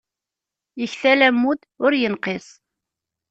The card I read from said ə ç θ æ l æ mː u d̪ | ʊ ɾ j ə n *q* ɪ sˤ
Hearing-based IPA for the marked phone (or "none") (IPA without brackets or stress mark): q